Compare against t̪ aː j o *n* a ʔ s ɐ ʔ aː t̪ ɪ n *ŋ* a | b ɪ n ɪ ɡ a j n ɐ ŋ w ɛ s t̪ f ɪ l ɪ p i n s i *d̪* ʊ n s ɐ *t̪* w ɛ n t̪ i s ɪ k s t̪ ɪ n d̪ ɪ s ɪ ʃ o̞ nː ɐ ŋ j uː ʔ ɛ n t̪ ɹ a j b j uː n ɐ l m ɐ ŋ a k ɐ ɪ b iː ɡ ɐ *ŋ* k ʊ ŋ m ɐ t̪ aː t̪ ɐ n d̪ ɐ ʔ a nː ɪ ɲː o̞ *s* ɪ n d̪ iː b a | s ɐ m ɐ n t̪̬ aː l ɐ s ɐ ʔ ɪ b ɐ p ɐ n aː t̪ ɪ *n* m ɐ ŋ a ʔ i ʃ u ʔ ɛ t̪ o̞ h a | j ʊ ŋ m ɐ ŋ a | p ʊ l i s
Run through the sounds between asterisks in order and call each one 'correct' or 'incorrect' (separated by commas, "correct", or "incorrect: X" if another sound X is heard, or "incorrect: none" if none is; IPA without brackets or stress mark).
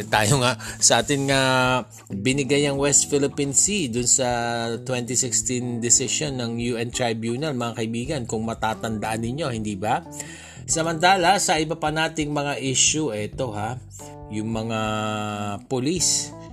incorrect: ŋ, correct, correct, correct, incorrect: n, incorrect: h, incorrect: ŋ